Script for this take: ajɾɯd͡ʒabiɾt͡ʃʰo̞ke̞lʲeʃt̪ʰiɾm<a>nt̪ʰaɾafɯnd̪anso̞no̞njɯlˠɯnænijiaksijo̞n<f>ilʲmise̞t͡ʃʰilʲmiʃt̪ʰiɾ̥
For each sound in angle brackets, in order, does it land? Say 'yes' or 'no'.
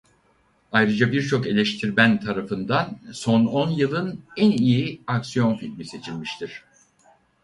no, yes

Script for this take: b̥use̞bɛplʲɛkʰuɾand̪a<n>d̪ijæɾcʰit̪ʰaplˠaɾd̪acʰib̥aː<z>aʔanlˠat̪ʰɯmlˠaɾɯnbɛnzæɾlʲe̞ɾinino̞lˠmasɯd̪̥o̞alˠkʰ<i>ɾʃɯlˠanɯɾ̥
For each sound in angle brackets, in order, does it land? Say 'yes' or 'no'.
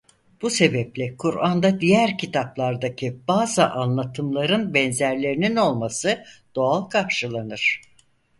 no, yes, no

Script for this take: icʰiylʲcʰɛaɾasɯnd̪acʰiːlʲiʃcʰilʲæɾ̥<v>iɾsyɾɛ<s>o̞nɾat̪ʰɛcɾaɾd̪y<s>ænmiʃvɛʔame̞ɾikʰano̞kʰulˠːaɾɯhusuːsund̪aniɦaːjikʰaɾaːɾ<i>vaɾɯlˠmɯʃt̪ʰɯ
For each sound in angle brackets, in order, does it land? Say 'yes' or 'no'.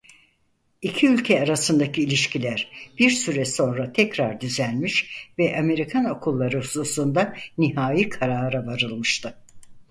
no, yes, no, no

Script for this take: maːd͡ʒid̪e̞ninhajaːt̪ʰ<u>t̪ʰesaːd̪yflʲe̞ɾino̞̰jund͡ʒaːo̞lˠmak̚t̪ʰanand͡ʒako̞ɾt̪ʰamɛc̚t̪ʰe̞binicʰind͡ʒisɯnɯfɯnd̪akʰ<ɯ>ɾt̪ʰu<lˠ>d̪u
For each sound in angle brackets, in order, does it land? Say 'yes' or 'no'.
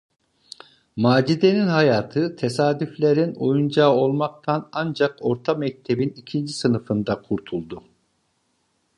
no, no, yes

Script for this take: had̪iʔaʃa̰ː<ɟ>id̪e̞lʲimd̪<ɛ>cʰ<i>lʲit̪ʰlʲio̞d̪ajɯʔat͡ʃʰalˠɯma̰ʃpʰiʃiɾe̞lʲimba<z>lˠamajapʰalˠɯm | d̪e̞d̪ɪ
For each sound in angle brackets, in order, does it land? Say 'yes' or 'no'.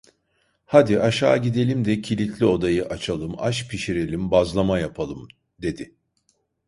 yes, yes, yes, yes

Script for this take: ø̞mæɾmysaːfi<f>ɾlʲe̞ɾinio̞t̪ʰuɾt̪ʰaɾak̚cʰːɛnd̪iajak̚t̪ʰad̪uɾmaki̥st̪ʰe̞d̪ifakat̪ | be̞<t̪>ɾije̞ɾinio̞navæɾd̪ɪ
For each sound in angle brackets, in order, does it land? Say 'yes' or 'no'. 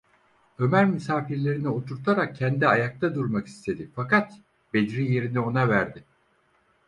no, no

